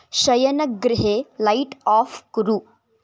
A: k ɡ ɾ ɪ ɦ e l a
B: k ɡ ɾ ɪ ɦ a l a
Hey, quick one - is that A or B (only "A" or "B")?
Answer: A